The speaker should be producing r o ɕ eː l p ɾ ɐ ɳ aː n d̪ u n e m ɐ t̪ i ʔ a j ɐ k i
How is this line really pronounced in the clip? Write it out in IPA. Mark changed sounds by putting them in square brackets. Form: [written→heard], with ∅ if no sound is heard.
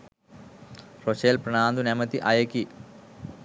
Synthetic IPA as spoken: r o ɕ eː l p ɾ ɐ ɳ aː n d̪ u n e m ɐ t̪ i ʔ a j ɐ k i